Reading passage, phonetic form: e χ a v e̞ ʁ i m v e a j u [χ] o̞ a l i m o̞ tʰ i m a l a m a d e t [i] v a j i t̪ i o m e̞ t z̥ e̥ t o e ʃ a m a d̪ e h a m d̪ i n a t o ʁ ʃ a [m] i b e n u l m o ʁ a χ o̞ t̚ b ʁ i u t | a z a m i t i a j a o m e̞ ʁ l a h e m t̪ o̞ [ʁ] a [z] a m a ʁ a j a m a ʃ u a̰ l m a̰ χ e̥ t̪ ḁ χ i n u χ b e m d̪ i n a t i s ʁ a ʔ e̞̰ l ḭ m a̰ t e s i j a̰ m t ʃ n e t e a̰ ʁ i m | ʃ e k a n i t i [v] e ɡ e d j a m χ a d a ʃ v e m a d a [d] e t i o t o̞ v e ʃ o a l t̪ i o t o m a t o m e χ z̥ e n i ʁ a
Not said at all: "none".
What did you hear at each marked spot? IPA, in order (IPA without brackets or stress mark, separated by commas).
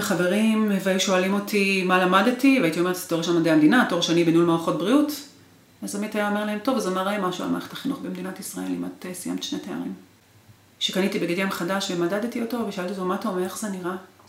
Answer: ʃ, i, n, v, z, b, d